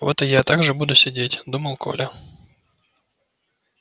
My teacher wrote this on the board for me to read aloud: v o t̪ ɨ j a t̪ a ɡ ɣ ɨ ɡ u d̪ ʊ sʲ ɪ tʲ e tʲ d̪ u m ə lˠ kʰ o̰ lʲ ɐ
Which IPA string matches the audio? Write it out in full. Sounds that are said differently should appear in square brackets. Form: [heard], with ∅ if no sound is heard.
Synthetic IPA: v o t̪ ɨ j a t̪ a ɡ [ʐ] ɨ [b] u d̪ ʊ sʲ ɪ [dʲ] e tʲ d̪ u m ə lˠ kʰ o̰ lʲ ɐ